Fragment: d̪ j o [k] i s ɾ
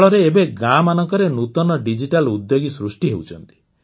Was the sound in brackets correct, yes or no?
no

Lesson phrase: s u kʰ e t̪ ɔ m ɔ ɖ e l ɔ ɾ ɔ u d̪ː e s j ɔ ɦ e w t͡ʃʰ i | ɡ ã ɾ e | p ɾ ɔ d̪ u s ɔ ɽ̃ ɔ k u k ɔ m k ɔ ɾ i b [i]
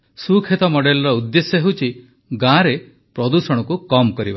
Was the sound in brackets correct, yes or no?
no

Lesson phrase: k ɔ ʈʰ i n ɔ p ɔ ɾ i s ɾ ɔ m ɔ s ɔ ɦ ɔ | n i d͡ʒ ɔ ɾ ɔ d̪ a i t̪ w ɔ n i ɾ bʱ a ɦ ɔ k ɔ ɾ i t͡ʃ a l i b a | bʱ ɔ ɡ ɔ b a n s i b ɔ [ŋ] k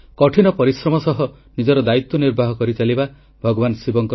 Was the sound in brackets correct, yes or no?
yes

